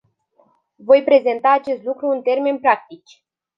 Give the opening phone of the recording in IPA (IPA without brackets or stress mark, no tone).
v